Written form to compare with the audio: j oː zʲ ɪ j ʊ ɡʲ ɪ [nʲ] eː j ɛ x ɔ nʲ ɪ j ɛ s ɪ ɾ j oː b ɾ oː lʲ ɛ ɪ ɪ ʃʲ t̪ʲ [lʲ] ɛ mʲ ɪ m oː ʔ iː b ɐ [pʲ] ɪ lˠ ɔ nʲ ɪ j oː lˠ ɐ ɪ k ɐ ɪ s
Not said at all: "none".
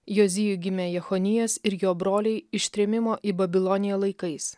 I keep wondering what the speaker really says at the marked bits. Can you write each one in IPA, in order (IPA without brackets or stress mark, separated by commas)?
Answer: mʲ, ɾʲ, bʲ